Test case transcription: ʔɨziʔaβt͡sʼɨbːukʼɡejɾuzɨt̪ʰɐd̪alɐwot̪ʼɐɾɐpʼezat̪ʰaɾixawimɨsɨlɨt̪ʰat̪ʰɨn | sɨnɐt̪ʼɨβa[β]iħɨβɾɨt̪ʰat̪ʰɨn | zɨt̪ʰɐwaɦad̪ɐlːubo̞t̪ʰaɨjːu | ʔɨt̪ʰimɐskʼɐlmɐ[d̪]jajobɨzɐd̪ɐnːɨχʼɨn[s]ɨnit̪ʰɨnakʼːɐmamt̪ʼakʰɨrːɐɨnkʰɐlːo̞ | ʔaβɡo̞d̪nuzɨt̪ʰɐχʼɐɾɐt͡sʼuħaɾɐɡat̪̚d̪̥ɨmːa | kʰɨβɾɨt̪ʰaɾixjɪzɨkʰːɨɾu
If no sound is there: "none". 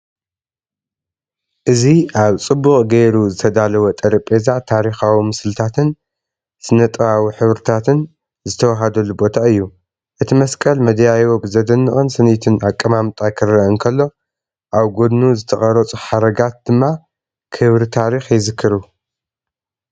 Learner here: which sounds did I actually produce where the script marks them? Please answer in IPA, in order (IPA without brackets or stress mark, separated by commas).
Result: w, d̪, s